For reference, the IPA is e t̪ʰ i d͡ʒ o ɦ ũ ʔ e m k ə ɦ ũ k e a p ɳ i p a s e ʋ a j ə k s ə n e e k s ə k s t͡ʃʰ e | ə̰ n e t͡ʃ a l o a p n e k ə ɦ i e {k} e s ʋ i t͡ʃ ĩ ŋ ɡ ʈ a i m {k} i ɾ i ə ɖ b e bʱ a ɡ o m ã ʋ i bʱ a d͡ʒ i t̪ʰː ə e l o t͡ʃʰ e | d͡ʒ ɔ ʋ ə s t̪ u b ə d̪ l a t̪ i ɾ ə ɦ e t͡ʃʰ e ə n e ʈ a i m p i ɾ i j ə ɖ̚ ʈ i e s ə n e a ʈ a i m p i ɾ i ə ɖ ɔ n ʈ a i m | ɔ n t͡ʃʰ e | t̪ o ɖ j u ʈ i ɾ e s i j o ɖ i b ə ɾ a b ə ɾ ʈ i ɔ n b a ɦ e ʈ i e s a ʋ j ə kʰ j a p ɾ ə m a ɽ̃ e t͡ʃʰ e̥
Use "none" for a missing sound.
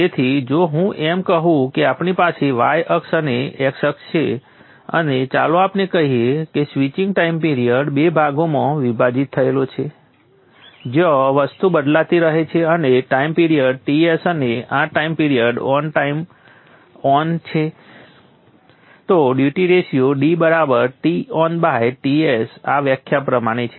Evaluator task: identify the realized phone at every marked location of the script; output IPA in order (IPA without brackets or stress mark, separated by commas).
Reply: k, p